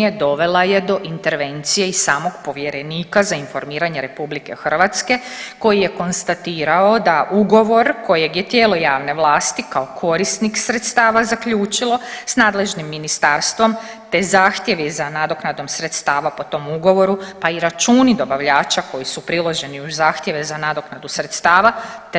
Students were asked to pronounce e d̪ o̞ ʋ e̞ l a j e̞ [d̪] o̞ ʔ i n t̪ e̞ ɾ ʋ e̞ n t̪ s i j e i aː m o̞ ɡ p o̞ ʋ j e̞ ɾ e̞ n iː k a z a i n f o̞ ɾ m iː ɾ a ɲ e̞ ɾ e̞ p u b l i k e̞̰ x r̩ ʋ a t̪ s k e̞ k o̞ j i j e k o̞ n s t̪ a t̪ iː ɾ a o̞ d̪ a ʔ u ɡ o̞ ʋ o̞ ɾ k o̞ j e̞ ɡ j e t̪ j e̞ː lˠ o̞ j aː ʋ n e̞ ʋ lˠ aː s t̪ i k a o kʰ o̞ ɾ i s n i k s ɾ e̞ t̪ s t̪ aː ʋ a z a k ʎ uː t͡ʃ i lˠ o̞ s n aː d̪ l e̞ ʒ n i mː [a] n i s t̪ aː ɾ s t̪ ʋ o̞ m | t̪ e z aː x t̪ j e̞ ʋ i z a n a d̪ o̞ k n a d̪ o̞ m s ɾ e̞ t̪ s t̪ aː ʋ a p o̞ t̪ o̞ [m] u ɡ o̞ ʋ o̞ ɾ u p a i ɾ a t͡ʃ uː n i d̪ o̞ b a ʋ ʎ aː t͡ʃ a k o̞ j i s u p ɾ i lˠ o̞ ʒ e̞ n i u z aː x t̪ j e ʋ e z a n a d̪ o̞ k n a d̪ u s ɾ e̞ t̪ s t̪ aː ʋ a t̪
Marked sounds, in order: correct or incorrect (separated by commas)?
correct, incorrect, correct